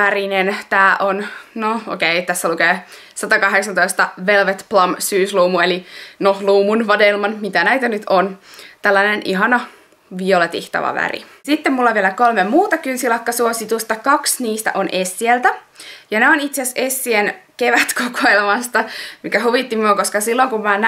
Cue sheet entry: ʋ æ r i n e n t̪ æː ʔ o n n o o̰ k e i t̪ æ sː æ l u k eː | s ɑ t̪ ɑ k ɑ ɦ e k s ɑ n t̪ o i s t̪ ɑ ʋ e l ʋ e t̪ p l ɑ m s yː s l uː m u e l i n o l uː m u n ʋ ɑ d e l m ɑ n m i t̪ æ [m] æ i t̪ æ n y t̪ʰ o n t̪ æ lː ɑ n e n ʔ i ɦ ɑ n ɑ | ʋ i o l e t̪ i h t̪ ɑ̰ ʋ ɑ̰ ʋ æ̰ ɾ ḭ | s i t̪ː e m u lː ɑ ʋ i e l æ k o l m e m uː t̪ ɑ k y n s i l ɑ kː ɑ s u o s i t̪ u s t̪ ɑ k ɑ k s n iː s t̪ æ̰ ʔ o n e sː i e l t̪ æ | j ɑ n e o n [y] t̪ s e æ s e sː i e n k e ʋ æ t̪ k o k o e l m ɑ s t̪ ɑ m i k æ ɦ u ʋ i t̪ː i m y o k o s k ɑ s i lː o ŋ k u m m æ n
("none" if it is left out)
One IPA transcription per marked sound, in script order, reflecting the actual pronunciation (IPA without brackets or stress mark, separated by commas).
n, i